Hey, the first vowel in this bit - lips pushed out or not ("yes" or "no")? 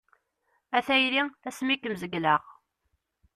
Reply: no